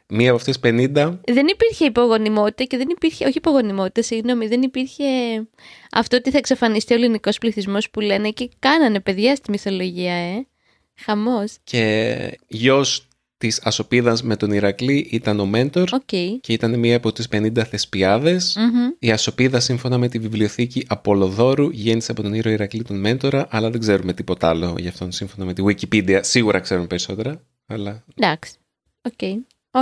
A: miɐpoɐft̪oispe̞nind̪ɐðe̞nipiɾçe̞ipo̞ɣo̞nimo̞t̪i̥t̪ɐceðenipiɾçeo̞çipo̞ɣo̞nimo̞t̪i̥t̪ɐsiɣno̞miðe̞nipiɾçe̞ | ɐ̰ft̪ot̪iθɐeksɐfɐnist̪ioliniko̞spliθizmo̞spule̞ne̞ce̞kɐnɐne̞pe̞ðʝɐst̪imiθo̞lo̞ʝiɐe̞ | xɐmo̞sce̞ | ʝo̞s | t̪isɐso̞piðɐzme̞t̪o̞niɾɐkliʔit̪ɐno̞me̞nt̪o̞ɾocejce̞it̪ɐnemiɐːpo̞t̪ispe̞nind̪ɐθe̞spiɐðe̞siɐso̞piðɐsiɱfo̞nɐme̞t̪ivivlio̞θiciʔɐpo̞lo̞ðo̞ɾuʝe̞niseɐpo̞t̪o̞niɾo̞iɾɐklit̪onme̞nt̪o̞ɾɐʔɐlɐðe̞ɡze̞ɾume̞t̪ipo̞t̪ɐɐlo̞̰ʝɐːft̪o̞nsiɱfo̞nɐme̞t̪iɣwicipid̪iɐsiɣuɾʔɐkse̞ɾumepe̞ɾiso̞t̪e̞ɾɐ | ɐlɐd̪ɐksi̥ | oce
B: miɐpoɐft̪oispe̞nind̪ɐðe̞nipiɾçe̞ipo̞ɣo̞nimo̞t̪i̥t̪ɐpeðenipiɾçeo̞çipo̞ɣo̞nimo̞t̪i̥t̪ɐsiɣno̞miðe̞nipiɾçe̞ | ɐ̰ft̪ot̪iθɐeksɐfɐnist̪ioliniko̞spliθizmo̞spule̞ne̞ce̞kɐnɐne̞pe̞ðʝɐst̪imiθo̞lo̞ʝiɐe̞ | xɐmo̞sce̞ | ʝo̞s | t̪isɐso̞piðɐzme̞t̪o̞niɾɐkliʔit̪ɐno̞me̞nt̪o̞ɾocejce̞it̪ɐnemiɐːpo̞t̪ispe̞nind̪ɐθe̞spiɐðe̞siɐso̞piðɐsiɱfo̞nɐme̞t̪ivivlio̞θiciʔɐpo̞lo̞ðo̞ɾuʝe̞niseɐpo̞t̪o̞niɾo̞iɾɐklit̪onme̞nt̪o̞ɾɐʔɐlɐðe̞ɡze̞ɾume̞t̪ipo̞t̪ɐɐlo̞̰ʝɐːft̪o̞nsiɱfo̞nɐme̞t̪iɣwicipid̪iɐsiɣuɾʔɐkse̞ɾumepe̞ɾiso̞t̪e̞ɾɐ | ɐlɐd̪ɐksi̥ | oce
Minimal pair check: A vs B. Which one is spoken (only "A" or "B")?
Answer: A